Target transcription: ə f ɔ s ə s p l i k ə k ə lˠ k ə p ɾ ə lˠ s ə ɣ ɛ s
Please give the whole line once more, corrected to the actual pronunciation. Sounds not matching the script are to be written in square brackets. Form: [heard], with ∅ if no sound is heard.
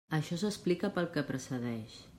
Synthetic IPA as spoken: ə [ʃ] ɔ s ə s p l i k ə [p] ə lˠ k ə p ɾ ə [∅] s ə [ð] ɛ [ʃ]